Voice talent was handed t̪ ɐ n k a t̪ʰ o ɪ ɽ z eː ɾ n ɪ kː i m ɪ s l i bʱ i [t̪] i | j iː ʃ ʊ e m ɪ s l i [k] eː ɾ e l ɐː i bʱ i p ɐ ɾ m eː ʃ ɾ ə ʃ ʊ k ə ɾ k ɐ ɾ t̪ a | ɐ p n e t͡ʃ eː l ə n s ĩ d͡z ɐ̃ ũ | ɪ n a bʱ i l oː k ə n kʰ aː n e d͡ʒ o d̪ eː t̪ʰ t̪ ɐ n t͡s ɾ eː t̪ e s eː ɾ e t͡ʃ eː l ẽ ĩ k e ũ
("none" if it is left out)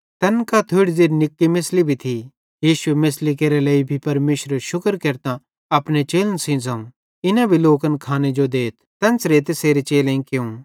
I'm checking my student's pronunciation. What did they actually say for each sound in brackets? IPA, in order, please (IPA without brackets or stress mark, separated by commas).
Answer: t̪ʰ, k